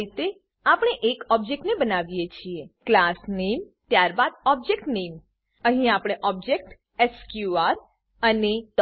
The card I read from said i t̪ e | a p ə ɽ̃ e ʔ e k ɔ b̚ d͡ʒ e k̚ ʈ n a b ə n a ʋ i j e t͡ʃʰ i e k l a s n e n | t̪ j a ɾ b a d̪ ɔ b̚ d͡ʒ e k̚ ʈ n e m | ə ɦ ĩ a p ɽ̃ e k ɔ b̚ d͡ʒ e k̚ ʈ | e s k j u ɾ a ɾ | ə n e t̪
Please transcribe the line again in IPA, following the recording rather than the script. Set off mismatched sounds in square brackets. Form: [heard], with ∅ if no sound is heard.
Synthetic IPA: i t̪ e | a p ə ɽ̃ e ʔ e k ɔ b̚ d͡ʒ e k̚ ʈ n [e] b ə n a ʋ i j e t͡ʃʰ i e k l a s n e [m] | t̪ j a ɾ b a d̪ ɔ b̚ d͡ʒ e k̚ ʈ n e m | ə ɦ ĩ a p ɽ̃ e [ʔ] ɔ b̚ d͡ʒ e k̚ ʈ | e s k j u [∅] a ɾ | ə n e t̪